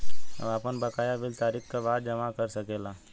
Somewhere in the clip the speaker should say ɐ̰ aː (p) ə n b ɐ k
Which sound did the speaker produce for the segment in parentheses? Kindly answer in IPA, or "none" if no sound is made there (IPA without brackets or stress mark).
p